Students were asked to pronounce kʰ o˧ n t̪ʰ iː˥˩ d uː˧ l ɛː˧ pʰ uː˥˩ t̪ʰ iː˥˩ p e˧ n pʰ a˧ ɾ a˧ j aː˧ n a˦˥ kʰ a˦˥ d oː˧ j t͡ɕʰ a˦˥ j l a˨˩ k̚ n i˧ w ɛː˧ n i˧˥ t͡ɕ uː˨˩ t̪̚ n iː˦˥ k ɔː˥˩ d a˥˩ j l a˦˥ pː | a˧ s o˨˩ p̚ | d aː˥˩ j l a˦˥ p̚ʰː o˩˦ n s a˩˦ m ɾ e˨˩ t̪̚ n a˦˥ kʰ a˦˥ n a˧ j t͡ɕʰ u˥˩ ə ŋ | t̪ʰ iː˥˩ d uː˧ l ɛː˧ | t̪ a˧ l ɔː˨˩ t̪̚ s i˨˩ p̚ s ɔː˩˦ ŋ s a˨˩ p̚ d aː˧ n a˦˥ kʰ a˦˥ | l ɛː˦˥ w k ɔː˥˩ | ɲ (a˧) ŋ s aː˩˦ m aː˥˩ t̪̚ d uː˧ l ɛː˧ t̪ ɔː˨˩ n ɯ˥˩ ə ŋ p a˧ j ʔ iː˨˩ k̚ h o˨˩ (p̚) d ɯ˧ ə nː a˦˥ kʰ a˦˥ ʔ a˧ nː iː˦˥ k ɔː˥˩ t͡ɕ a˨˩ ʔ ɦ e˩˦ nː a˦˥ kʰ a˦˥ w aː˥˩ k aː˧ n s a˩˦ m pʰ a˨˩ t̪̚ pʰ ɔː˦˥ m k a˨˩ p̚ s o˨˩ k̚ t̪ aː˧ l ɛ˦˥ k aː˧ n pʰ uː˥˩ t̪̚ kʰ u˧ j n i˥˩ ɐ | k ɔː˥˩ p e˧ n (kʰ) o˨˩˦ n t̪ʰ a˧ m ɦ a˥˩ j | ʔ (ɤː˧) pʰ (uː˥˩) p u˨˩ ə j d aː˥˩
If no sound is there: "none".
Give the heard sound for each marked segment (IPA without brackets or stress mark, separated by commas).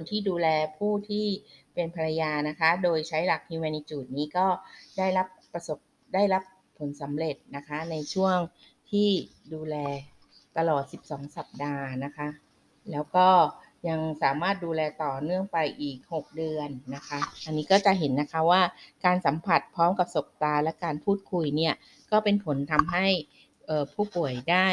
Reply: a˧, k̚, pʰ, ɤː˨˩, uː˥˩